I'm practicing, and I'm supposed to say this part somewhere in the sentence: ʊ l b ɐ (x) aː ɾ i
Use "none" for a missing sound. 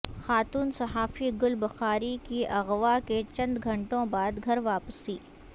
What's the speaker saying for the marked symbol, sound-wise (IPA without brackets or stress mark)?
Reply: x